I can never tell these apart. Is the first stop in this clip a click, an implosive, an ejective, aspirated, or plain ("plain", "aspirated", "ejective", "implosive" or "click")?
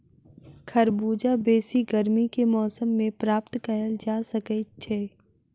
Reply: aspirated